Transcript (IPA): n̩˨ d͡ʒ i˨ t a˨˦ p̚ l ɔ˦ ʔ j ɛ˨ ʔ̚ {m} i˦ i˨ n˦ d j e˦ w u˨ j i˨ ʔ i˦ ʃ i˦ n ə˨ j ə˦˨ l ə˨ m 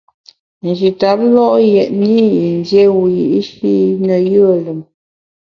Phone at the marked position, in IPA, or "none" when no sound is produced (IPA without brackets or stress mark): n